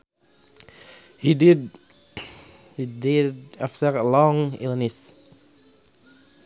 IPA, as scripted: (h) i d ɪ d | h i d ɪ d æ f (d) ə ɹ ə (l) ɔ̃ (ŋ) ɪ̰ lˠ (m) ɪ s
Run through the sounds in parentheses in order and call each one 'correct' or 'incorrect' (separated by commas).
correct, incorrect, correct, correct, incorrect